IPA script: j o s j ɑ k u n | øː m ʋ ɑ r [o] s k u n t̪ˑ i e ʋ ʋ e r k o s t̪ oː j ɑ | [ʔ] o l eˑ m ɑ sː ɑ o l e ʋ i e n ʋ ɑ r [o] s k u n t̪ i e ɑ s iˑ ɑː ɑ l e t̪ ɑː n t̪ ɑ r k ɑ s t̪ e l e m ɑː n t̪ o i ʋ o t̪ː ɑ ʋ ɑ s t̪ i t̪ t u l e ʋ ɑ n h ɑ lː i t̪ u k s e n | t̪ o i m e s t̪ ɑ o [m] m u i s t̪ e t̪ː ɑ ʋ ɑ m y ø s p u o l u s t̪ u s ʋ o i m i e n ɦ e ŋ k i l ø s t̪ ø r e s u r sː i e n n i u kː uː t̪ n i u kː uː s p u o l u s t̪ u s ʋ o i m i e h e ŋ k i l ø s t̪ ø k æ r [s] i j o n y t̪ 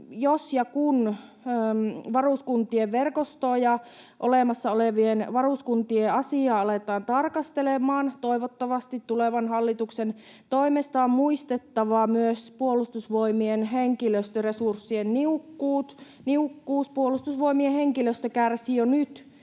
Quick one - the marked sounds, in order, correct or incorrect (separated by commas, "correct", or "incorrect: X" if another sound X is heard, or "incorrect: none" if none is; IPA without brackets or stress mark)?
incorrect: u, correct, incorrect: u, correct, correct